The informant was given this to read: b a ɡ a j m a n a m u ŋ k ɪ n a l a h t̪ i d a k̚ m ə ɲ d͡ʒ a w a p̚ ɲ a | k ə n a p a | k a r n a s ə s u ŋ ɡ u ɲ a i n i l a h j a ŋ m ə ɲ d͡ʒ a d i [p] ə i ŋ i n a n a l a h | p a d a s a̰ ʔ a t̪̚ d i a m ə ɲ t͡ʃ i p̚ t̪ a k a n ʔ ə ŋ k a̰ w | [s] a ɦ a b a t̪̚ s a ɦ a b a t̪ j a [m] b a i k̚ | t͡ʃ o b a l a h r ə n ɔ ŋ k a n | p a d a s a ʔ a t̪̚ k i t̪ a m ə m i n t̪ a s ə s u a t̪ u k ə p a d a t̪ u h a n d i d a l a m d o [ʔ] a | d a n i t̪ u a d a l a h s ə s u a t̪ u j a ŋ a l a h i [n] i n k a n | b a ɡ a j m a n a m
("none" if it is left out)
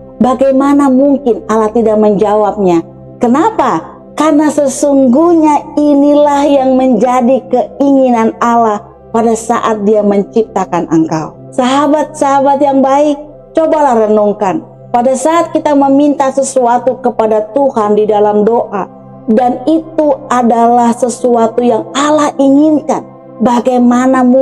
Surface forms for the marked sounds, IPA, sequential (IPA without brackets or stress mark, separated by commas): k, s, ŋ, ʔ, ŋ